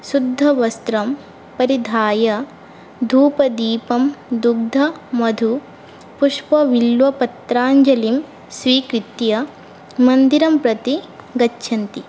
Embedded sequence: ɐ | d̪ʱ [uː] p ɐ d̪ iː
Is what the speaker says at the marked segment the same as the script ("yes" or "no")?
yes